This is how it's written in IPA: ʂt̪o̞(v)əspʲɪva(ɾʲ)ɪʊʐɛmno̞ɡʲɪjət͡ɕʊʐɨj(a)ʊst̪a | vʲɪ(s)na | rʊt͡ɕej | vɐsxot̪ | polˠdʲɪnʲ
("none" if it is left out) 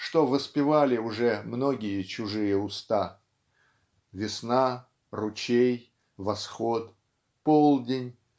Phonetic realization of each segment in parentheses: v, lʲ, ə, s

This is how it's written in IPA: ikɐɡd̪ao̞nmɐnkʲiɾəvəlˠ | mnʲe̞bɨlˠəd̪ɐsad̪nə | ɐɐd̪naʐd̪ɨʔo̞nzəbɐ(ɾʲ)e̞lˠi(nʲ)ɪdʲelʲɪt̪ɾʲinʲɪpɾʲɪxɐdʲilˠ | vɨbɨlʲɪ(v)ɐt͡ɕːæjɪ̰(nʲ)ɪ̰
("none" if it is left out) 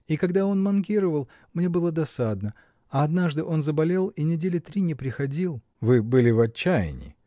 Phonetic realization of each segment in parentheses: lʲ, nʲ, v, nʲ

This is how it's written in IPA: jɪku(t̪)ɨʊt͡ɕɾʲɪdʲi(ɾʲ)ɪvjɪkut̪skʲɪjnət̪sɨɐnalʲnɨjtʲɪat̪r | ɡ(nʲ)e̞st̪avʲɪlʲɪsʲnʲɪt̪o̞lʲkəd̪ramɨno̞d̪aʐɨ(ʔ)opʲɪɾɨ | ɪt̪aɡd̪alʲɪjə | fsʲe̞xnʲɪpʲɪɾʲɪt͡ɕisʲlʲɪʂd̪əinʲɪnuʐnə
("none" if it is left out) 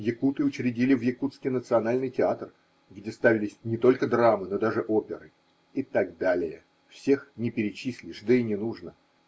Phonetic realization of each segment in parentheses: t̪, lʲ, dʲ, ʔ

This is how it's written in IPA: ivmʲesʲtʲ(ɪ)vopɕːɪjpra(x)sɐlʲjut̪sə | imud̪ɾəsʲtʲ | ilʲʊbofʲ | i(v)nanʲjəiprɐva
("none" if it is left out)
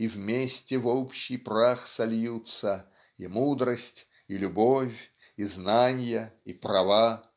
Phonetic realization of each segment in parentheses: ɪ, x, z

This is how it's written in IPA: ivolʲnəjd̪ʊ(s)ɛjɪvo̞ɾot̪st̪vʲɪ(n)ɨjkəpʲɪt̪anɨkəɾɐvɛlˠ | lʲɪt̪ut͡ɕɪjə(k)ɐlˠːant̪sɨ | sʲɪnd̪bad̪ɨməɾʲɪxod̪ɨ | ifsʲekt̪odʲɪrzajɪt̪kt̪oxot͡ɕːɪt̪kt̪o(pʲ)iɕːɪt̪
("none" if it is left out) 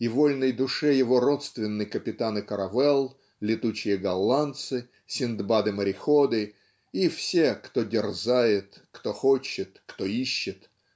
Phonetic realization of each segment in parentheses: ʂ, nː, ɡ, none

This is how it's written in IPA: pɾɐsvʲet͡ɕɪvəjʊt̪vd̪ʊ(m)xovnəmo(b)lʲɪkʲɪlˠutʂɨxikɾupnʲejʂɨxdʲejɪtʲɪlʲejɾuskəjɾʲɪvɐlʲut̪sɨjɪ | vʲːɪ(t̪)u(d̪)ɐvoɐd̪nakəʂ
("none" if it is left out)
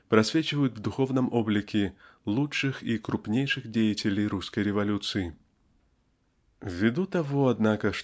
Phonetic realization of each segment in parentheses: none, b, d̪, t̪

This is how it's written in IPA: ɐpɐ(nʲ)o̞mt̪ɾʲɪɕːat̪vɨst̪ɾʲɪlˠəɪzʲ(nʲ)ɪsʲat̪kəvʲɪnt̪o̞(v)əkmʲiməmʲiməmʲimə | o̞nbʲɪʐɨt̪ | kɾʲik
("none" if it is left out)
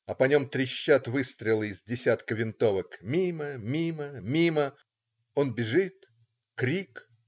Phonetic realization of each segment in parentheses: nʲ, dʲ, v

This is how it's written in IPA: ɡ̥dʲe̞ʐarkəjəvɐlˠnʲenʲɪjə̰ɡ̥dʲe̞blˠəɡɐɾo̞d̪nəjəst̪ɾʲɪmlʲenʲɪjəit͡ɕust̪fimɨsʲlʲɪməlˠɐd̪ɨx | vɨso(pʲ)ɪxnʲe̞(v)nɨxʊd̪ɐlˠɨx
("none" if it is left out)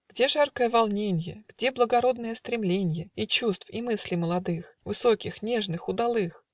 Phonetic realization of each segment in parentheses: kʲ, ʐ

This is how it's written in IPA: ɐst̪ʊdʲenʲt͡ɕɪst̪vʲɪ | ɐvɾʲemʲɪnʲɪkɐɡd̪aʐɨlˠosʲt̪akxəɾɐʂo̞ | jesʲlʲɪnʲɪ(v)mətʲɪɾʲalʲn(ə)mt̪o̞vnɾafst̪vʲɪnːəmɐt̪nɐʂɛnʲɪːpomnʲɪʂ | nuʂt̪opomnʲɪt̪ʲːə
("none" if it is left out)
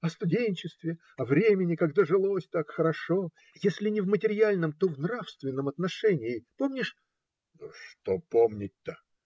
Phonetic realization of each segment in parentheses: v, ə

